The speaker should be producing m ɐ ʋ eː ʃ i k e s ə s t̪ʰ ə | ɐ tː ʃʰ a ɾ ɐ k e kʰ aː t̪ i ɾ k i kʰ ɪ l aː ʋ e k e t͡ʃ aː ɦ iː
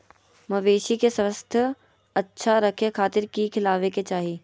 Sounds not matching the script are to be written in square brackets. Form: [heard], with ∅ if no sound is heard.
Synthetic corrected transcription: m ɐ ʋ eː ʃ i k e s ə s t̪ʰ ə | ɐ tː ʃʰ a ɾ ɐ [kʰ] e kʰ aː t̪ [ɪ] ɾ k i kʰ ɪ l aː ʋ e k e t͡ʃ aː ɦ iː